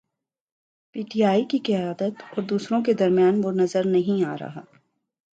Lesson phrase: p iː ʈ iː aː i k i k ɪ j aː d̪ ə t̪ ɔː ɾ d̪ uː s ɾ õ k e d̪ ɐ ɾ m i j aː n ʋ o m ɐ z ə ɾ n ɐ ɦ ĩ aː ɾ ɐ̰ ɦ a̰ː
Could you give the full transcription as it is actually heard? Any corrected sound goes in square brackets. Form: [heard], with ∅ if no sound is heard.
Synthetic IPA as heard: p iː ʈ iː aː i k i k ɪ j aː d̪ ə t̪ ɔː ɾ d̪ uː s ɾ õ k e d̪ ɐ ɾ m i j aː n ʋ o [n] ɐ z ə ɾ n ɐ ɦ ĩ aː ɾ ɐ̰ ɦ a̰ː